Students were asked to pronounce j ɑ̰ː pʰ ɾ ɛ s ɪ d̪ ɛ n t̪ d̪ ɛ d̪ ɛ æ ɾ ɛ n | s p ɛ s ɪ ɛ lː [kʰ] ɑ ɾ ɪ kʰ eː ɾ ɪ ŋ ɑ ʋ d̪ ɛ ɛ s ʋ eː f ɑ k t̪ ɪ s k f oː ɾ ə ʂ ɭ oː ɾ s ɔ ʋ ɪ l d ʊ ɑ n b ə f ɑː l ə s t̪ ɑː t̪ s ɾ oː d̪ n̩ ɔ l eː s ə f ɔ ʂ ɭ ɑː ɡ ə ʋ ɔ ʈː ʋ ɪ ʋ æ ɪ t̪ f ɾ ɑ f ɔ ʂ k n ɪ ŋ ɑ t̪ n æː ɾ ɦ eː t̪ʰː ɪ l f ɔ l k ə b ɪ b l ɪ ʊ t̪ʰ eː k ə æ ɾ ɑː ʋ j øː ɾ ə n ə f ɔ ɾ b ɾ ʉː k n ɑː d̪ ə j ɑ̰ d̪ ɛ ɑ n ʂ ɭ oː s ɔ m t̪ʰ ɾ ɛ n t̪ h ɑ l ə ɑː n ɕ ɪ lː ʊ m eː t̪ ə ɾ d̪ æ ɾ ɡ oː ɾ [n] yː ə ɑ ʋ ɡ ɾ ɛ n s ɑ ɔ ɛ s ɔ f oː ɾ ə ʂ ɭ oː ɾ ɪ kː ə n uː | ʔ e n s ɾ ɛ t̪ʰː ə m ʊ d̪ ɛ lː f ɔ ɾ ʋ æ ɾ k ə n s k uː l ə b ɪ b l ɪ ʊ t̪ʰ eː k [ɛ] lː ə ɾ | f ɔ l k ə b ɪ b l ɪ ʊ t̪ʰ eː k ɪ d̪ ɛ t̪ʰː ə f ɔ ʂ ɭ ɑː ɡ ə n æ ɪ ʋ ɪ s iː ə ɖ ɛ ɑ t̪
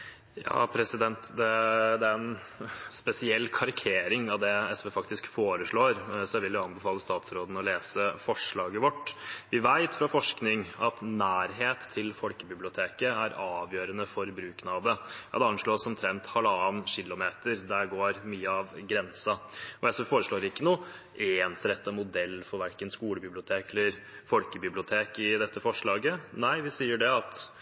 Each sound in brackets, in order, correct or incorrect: correct, incorrect: m, correct

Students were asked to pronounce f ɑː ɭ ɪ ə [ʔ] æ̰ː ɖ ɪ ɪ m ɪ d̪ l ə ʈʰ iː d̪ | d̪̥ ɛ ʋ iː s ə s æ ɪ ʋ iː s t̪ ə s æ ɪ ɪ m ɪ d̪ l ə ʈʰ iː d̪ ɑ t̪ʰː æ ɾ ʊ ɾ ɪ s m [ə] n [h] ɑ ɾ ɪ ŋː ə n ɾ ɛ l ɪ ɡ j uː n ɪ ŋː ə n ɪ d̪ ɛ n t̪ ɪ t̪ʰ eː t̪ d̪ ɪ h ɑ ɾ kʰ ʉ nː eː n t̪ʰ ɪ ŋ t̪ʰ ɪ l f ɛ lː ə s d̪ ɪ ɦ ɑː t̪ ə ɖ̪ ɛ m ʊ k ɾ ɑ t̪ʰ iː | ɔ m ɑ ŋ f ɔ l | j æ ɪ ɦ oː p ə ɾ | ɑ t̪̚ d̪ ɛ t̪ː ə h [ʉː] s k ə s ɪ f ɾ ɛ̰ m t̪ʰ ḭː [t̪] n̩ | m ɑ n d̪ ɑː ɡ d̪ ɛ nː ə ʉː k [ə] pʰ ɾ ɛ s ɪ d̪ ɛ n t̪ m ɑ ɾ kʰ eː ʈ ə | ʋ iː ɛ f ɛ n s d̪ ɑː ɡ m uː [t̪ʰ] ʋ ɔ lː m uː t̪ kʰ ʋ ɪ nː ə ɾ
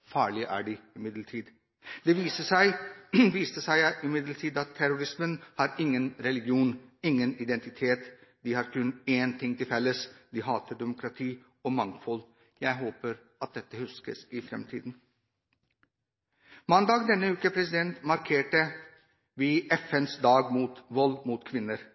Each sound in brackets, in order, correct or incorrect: correct, correct, correct, incorrect: ʉ, incorrect: d̪, correct, incorrect: t̪

